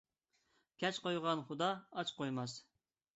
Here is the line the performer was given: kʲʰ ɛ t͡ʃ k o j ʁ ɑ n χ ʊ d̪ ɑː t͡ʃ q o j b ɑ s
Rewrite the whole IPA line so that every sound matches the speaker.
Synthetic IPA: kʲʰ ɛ t͡ʃ q o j ʁ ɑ n χ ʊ d̪ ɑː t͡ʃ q o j m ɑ s